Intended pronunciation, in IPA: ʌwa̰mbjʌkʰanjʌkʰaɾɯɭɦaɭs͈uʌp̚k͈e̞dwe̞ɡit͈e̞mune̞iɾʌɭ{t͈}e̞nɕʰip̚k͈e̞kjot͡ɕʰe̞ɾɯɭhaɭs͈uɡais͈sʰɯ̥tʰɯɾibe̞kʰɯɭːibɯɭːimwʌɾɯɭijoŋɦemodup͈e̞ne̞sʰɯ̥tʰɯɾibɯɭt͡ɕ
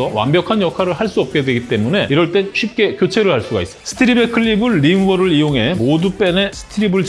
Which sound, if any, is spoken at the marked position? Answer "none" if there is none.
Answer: t͈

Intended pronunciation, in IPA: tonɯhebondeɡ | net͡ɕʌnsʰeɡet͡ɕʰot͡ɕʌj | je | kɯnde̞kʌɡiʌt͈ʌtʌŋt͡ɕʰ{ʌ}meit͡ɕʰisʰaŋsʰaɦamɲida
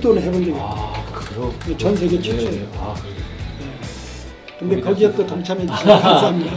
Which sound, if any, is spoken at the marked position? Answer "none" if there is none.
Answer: a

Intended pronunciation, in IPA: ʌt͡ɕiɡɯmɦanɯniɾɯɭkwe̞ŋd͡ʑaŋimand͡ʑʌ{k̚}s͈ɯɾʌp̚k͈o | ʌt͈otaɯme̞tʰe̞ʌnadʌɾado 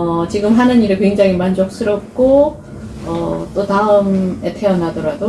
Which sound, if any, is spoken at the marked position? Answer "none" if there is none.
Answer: k̚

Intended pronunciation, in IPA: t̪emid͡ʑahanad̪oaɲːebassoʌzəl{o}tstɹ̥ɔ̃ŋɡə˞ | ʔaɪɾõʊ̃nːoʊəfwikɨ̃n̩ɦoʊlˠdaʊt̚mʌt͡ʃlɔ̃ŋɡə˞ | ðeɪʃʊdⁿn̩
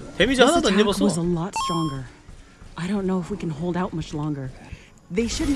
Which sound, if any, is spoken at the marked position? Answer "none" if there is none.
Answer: ɔ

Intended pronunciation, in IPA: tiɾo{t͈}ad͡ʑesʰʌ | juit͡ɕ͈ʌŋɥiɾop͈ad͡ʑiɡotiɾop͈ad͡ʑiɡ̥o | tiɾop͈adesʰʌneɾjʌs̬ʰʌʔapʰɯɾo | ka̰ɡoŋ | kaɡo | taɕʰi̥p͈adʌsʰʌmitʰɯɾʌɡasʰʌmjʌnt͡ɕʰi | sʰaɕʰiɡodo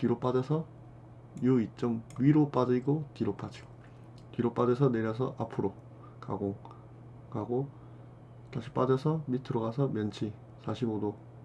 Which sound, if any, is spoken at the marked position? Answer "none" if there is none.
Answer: p͈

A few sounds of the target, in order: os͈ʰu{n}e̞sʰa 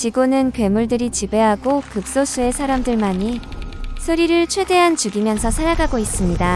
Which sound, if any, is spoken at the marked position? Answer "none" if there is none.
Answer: none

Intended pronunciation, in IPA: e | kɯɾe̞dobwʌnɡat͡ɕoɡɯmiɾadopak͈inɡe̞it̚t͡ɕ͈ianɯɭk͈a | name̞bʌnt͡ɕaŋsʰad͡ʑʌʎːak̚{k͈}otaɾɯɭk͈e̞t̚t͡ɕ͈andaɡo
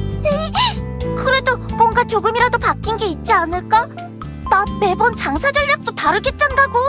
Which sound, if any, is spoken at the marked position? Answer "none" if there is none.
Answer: t͈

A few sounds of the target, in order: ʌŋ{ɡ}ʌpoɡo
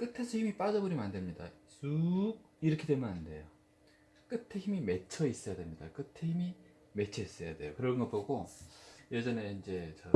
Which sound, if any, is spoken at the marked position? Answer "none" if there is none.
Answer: ɡ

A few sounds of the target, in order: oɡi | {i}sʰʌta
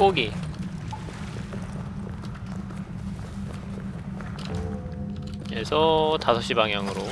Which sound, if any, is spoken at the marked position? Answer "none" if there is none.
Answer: e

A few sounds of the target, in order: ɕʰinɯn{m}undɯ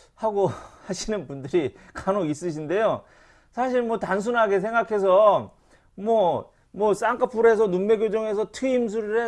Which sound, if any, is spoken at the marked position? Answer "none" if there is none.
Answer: b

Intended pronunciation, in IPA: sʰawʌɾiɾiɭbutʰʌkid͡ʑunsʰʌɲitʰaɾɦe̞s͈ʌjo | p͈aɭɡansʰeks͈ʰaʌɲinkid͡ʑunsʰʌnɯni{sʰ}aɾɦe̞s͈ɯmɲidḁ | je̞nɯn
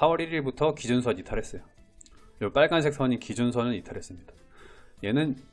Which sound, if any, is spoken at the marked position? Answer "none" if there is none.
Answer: tʰ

